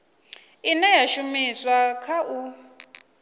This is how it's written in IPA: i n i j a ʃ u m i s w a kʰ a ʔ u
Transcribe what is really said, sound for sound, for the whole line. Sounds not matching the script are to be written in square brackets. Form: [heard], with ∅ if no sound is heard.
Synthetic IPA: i n [ɛ] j a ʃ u m i s w a kʰ a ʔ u